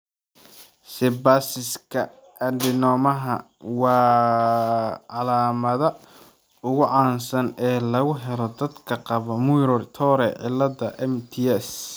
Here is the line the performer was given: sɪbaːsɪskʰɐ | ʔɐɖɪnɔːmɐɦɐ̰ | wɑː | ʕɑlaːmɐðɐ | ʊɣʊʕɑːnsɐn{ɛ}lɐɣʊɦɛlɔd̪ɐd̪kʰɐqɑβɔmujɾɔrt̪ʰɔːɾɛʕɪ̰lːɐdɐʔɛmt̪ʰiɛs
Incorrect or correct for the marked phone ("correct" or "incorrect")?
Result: incorrect